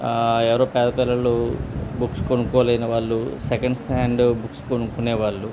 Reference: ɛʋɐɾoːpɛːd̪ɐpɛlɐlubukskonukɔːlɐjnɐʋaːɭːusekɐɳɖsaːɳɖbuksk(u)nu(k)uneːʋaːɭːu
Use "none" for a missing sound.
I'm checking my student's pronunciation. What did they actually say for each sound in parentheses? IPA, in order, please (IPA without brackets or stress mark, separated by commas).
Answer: o, k